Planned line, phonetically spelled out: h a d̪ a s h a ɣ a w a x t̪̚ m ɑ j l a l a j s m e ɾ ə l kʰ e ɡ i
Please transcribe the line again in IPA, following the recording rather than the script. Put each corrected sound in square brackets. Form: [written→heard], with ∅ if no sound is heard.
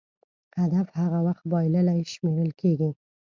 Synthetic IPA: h a d̪ a [s→f] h a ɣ a w a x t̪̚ [m→b] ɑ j l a l a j [s→ʃ] m e ɾ ə l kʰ e ɡ i